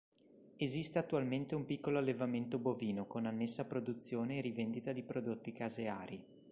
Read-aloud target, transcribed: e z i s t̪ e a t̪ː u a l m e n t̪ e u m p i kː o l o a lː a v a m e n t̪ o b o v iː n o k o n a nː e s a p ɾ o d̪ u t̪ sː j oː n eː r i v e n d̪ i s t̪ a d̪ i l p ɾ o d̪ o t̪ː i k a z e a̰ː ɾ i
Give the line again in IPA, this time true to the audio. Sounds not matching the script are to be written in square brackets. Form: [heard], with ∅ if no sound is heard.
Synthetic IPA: e z i s t̪ e a t̪ː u a l m e n t̪ e u m p i kː o l o a lː [e] v a m e n t̪ o b o v iː n o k o n a nː e [sː] a p ɾ o d̪ u t̪ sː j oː n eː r i v e n d̪ i [∅] t̪ a d̪ i [∅] p ɾ o d̪ o t̪ː i k a z e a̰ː ɾ i